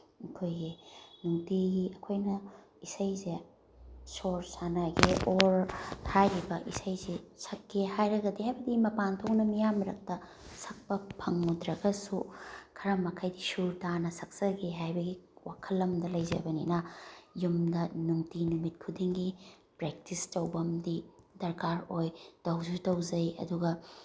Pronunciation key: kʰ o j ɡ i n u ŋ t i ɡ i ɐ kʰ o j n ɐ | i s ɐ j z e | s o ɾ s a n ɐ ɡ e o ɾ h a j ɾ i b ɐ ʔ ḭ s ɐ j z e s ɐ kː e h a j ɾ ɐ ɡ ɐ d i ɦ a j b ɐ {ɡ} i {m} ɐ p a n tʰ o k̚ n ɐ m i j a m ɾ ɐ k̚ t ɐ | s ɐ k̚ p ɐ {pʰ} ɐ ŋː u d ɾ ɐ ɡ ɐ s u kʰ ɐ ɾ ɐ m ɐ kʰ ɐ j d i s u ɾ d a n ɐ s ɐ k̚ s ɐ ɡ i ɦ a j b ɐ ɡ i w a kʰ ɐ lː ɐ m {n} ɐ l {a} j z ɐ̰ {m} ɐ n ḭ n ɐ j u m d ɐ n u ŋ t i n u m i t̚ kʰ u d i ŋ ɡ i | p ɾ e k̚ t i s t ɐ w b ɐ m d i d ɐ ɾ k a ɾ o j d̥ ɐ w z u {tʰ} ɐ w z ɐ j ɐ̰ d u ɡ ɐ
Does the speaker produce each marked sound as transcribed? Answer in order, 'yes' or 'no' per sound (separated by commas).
no, yes, yes, no, no, no, no